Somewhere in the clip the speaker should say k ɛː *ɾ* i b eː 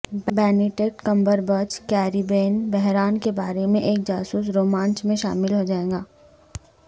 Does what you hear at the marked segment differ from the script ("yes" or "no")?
no